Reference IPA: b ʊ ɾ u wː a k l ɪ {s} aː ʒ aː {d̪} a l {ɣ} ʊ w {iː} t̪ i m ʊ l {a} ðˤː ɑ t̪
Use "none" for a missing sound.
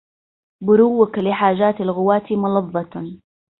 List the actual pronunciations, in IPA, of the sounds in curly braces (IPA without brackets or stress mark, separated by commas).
ħ, t̪, ɣ, aː, ɑ